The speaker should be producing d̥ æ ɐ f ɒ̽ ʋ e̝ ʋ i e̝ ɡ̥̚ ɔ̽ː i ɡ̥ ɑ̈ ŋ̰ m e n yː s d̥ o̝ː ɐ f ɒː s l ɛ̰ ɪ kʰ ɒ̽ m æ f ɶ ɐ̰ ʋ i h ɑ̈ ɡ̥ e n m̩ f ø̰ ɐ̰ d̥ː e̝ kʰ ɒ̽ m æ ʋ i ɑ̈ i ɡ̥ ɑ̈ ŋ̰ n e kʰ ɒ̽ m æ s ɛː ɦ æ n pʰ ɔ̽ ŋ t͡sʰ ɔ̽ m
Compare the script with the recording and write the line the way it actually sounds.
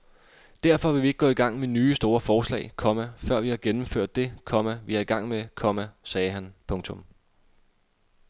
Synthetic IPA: d̥ æ ɐ f ɒ̽ ʋ e̝ ʋ i e̝ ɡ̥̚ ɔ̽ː i ɡ̥ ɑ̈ ŋ̰ m e n yː s d̥ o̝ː ɐ f ɒː s l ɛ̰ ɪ kʰ ɒ̽ m æ f ɶ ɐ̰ ʋ i h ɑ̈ ɡ̥ e n m̩ f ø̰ ɐ̰ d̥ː e̝ kʰ ɒ̽ m æ ʋ i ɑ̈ i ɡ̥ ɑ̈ ŋ̰ m e kʰ ɒ̽ m æ s ɛː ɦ æ n pʰ ɔ̽ ŋ t͡sʰ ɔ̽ m